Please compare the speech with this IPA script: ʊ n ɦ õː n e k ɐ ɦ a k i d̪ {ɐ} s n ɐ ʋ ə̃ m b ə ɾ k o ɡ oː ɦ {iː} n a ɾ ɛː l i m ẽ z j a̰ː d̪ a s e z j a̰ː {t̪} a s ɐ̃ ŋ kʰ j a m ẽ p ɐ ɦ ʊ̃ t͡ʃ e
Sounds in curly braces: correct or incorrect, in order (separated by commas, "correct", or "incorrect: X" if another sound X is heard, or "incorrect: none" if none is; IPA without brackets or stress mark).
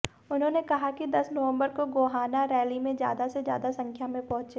correct, incorrect: aː, incorrect: d̪